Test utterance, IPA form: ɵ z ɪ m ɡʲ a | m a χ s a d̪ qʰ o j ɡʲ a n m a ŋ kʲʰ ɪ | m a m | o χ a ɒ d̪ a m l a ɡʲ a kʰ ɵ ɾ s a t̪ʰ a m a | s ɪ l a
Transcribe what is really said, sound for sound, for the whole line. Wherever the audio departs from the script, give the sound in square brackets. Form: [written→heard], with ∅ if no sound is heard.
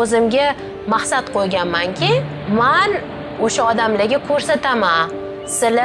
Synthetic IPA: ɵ z ɪ m ɡʲ a | m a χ s a [d̪→t̪] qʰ o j ɡʲ a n m a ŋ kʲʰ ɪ | m a [m→n] | o [χ→ʃ] a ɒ d̪ a m l a ɡʲ a kʰ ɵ ɾ s a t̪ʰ a m a | s ɪ l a